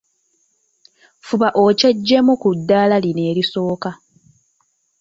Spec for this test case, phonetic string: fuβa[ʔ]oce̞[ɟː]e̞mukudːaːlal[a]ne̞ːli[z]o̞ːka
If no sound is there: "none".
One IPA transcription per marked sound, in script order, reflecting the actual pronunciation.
ʔ, ɟː, i, s

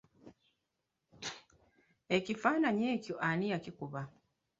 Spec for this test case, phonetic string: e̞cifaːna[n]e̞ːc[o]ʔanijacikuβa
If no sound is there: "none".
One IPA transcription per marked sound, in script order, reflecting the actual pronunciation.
ɲ, o

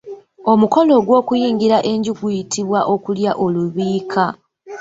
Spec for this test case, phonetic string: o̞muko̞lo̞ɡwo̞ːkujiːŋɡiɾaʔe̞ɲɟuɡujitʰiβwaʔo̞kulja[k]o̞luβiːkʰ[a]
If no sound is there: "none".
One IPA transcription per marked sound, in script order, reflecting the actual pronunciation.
ʔ, a

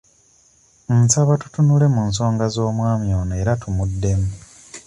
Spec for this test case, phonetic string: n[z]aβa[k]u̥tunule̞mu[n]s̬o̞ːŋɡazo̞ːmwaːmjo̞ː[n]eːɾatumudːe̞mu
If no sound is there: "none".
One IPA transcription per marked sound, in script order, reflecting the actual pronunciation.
s, t, n, n

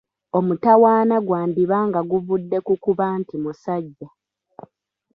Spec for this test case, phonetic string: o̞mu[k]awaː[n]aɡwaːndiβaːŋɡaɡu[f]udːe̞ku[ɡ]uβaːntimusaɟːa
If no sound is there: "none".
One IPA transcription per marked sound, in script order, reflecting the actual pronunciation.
t, n, v, k

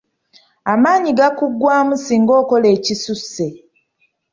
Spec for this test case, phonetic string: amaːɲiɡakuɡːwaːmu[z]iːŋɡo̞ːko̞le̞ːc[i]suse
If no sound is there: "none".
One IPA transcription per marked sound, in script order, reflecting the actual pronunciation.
s, i

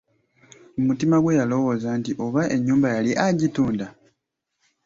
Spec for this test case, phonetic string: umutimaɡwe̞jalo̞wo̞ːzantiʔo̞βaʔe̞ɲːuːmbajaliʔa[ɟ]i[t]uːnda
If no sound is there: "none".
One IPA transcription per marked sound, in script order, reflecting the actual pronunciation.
ɟ, t

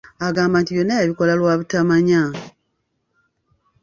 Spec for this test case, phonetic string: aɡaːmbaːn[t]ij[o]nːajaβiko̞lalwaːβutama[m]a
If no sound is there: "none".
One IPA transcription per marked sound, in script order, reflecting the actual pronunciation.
t, o, ɲ

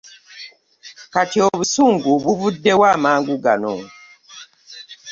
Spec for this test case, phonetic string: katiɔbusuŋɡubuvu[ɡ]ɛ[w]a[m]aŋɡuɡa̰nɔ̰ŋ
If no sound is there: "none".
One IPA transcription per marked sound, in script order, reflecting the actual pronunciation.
d, w, m

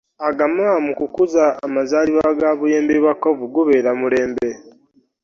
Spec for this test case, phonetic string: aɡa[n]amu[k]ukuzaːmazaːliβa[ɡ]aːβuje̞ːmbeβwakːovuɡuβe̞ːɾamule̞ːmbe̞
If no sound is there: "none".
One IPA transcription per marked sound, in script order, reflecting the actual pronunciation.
m, k, ɡ

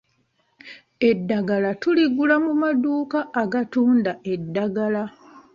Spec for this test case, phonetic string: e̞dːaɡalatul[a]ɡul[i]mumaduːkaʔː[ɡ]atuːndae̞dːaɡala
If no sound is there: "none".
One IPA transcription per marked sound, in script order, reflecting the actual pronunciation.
i, a, ɡ

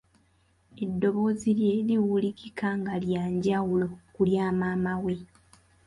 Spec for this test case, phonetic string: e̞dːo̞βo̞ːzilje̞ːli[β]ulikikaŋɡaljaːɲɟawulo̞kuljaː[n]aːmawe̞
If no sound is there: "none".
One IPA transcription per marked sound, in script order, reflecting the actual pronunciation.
w, m

